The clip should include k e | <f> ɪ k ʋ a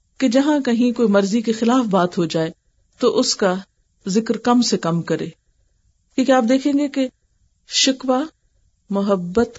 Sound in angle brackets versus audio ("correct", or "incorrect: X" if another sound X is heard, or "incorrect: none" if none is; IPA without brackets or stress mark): incorrect: ʃ